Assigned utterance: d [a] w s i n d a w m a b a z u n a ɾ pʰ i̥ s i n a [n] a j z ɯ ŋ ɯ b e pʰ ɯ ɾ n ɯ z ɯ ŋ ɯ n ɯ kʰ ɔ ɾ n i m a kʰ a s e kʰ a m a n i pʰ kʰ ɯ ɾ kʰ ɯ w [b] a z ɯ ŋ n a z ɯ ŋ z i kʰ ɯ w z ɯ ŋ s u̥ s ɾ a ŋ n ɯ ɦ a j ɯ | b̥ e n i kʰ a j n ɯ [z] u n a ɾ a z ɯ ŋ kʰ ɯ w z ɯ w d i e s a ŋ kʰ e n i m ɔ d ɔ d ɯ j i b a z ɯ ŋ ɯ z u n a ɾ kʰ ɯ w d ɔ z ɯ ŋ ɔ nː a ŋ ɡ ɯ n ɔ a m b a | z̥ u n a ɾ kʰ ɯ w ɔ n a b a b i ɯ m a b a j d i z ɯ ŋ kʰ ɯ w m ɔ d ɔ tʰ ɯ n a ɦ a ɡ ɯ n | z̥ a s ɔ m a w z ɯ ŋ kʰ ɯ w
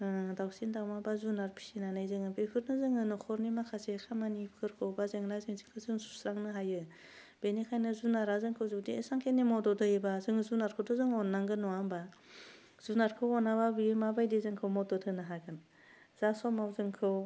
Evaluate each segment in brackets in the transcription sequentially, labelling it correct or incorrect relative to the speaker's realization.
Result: correct, correct, correct, correct

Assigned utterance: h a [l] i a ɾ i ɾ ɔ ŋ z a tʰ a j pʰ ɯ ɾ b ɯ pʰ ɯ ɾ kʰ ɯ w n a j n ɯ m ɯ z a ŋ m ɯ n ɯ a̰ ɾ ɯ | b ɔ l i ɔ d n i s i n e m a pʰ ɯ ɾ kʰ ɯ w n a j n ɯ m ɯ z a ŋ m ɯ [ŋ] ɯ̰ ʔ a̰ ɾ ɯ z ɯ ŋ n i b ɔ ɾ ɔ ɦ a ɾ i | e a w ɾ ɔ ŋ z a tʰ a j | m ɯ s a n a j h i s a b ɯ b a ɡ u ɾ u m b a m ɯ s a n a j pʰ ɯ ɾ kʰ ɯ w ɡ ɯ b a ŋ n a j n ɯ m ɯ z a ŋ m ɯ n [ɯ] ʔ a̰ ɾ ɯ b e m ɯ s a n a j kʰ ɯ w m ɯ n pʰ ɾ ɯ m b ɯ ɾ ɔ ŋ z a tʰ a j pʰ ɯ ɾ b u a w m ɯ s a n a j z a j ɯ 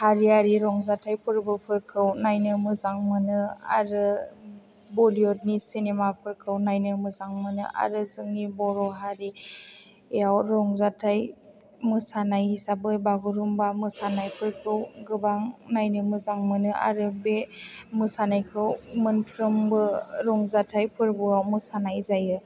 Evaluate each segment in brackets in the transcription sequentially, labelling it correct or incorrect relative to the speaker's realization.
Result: incorrect: ɾ, incorrect: n, correct

